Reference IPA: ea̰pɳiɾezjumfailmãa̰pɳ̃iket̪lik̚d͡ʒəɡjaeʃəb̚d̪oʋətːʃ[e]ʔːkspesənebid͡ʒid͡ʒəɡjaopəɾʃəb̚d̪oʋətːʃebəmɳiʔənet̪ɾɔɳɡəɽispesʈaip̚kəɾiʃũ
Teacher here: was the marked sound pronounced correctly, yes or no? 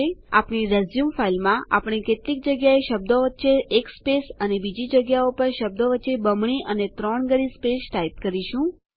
yes